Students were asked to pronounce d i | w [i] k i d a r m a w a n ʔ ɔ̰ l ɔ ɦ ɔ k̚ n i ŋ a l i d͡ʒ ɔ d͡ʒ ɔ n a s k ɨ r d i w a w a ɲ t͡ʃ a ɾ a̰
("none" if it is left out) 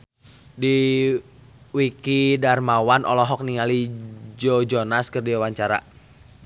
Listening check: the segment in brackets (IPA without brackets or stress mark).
i